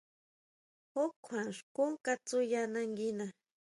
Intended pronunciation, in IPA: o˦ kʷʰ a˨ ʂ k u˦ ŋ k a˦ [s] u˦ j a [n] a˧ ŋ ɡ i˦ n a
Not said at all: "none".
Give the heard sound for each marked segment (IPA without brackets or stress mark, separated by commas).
t͡s, n